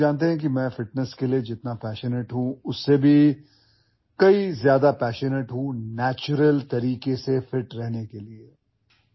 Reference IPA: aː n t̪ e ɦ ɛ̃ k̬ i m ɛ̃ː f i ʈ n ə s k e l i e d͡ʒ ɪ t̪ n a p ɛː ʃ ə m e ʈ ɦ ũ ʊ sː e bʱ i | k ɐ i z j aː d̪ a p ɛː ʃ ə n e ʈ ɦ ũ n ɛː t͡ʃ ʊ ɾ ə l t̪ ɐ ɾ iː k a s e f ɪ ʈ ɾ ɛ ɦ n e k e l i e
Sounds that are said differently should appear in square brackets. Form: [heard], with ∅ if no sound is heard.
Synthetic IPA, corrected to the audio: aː n t̪ e ɦ ɛ̃ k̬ i m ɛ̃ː f [ɪ] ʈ n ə s k e l i e d͡ʒ ɪ t̪ n a p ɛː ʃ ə [n] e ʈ ɦ ũ ʊ sː e bʱ i | k ɐ i z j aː d̪ a p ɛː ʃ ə n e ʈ ɦ ũ n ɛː t͡ʃ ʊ ɾ ə l t̪ ɐ ɾ iː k [e] s e f ɪ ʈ ɾ ɛ ɦ n e k e l i e